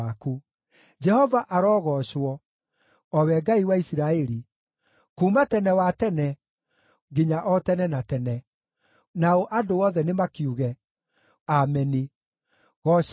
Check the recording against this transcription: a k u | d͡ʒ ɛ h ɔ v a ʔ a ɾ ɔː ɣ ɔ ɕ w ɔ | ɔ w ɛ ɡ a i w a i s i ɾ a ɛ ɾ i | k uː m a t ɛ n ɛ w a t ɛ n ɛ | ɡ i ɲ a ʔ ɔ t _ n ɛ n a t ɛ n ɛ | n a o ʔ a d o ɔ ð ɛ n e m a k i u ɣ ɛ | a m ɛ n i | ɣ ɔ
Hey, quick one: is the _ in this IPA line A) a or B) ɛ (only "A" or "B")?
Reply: B